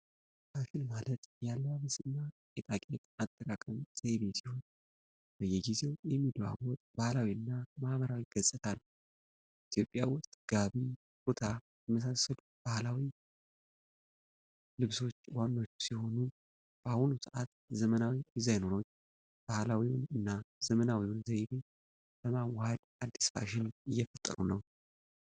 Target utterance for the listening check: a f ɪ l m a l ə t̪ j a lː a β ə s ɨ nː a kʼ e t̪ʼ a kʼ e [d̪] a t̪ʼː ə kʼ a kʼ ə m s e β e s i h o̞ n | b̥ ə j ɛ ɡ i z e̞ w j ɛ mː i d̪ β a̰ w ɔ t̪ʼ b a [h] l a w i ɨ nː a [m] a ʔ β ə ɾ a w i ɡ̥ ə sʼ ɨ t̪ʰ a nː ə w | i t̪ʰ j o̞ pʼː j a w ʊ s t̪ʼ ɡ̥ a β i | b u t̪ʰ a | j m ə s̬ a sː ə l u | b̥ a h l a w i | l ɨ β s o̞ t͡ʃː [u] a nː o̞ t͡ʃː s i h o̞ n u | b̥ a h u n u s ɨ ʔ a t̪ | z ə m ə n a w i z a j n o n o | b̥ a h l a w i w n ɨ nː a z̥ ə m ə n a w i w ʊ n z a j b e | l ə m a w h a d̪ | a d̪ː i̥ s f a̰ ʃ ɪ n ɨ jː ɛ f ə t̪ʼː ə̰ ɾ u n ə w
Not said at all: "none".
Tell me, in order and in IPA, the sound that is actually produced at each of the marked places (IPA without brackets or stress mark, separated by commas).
t̪, h, m, w